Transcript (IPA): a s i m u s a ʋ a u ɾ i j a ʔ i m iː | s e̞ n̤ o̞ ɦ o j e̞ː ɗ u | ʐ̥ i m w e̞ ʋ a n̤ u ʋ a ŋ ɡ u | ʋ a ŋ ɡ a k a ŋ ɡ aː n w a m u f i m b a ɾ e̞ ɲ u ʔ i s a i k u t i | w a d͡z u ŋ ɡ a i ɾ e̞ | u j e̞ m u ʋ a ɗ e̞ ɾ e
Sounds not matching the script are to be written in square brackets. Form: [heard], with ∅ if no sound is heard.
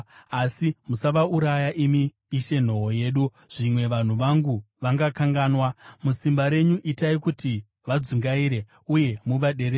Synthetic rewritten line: a s i m u s a ʋ a u ɾ [a] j a ʔ i m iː | [ʃ] e̞ n̤ o̞ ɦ o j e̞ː ɗ u | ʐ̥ i m w e̞ ʋ a n̤ u ʋ a ŋ ɡ u | ʋ a ŋ ɡ a k a ŋ ɡ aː n w a m u [s] i m b a ɾ e̞ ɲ u ʔ i [t] a i k u t i | [ʋ] a d͡z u ŋ ɡ a i ɾ e̞ | u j e̞ m u ʋ a ɗ e̞ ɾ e